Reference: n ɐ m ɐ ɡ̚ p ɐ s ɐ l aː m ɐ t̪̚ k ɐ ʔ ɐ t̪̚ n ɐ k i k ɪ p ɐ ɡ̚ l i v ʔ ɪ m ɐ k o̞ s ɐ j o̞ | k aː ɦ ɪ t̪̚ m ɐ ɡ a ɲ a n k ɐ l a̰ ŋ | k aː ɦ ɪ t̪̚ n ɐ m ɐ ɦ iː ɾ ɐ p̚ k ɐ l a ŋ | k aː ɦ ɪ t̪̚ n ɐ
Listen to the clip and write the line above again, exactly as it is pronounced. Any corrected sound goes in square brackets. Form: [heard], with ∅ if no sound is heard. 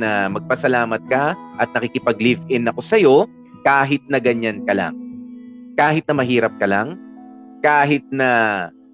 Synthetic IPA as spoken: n ɐ m ɐ ɡ̚ p ɐ s ɐ l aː m ɐ t̪̚ k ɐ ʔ ɐ t̪̚ n ɐ k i k ɪ p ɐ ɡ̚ l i v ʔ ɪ [n] ɐ k o̞ s ɐ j o̞ | k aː ɦ ɪ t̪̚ [n] ɐ ɡ [ɐ] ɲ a n k ɐ l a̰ ŋ | k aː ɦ ɪ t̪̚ n ɐ m ɐ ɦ iː ɾ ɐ p̚ k ɐ l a ŋ | k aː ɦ ɪ t̪̚ n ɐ